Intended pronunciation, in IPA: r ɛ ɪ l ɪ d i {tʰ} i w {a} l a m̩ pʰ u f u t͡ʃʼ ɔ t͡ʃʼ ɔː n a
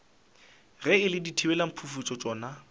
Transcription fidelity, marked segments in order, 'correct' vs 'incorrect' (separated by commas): correct, incorrect